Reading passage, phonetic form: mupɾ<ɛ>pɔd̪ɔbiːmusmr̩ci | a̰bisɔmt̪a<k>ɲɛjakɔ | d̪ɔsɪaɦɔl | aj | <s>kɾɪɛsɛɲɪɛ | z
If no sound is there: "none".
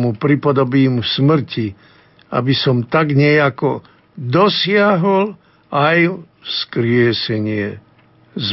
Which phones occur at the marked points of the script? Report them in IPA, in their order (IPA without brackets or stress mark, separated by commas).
i, ɡ, s